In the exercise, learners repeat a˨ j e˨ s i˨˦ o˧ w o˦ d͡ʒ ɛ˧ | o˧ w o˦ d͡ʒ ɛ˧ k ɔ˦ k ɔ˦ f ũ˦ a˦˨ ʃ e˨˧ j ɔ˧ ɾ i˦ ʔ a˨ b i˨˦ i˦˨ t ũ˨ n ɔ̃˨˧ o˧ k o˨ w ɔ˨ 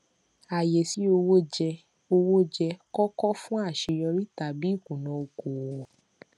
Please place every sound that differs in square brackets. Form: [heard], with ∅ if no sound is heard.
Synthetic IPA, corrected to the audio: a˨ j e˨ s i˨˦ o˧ w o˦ d͡ʒ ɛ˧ | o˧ w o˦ d͡ʒ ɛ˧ k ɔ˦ k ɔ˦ f ũ˦ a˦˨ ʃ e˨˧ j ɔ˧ ɾ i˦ [t] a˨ b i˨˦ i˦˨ [k] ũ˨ n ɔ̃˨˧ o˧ k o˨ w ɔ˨